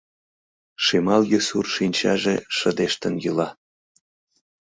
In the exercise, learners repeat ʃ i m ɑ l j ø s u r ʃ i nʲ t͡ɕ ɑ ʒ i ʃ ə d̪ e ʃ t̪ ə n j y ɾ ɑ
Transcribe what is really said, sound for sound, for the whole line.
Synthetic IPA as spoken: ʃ i m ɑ l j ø s u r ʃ i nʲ t͡ɕ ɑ ʒ e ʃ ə d̪ e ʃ t̪ ə n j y l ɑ